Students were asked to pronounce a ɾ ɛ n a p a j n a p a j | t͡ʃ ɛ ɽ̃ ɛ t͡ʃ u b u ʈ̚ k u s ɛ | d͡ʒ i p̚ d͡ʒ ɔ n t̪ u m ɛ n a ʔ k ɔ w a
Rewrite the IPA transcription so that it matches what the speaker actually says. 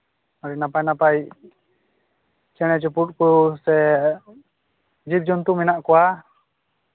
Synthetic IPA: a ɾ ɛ n a p a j n a p a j | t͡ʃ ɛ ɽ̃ ɛ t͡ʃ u p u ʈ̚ k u s ɛ | d͡ʒ i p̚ d͡ʒ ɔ n t̪ u m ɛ n a ʔ k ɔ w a